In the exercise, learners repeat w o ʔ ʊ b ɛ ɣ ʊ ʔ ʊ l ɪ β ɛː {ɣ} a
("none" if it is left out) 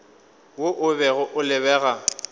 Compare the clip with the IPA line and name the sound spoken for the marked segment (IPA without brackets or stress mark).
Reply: ɣ